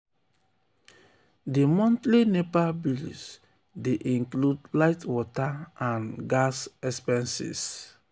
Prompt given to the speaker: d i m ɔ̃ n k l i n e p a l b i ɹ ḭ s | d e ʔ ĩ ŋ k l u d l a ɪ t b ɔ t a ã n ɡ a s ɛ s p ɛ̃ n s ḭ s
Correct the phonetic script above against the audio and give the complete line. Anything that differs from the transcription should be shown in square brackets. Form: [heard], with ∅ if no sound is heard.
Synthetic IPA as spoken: d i m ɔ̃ n [t] l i n e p a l b i [l] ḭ s | d e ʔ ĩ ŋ k l u d l a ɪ t [w] ɔ t a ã n ɡ a s ɛ s p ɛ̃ n s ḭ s